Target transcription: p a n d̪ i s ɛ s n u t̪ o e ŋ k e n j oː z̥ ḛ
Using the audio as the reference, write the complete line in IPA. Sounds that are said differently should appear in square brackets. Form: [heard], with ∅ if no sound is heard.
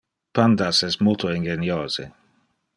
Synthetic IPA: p a n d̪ [a] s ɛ s [m] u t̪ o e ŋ [ɡ] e n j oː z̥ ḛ